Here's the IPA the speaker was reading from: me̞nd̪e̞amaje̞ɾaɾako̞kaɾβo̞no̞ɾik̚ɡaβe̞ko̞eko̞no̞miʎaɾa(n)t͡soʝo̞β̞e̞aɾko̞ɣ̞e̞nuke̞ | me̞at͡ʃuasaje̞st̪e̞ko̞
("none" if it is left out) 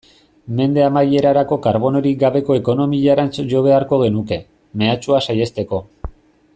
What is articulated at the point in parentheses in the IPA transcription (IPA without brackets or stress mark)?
n